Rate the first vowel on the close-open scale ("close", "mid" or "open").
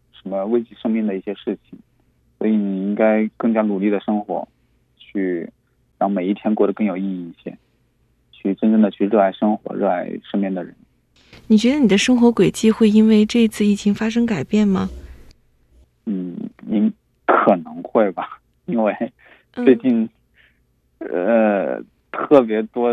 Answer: mid